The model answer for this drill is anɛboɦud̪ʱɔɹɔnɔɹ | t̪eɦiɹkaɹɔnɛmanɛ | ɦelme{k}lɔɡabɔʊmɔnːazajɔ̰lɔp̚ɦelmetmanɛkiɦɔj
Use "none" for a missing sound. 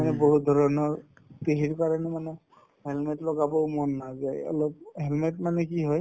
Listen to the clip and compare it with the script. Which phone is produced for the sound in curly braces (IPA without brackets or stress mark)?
t